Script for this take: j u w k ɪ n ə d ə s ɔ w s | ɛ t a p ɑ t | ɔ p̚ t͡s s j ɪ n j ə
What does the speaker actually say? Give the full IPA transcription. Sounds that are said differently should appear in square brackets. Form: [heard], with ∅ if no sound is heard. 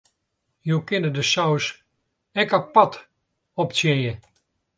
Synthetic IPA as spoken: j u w k ɪ n ə d ə s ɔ w s | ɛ [k] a p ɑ t | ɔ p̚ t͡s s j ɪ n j ə